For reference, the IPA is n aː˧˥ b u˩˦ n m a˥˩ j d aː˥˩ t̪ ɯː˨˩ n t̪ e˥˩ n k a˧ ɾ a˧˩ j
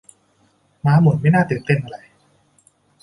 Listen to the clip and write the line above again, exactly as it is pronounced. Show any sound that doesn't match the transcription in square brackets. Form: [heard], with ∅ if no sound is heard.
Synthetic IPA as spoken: [m] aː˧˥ [m] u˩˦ n m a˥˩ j [n] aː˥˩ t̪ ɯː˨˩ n t̪ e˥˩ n [ʔ] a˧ ɾ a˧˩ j